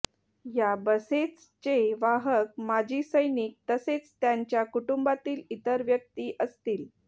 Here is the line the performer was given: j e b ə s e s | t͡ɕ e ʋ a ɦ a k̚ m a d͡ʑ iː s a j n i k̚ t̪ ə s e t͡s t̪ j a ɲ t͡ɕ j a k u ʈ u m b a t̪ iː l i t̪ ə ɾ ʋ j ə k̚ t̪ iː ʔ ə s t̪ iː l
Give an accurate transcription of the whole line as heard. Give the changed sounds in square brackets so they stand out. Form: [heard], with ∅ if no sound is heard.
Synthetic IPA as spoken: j [a] b ə s e [t͡s] | t͡ɕ e ʋ a ɦ [ə] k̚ m a d͡ʑ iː s [ə] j n i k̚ t̪ ə s e t͡s t̪ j a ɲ t͡ɕ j a k u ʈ u m b a t̪ iː l i t̪ ə ɾ ʋ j ə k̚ t̪ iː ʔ ə s t̪ iː l